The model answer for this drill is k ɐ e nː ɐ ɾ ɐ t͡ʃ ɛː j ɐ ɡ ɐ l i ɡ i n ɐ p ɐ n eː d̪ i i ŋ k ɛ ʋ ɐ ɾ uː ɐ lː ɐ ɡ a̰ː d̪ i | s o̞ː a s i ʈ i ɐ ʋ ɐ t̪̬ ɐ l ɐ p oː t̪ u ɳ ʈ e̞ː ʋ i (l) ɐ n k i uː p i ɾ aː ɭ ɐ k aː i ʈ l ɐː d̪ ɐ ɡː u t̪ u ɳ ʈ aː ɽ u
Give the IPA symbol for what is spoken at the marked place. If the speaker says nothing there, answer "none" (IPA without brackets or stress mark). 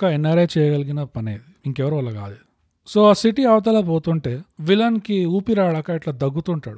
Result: l